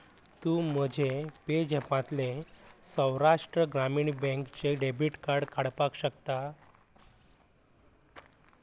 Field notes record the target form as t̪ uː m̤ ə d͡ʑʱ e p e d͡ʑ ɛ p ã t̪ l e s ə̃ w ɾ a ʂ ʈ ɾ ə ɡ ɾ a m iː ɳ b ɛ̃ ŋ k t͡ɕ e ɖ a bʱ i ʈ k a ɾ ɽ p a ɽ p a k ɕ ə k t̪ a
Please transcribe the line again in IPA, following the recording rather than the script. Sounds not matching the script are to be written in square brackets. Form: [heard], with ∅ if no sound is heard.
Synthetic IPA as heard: t̪ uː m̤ ə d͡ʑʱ e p e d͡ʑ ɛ p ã t̪ l e s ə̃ w ɾ a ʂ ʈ ɾ ə ɡ ɾ a m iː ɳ b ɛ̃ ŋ k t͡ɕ e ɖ [e] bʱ i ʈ k a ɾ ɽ [k] a ɽ p a k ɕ ə k t̪ a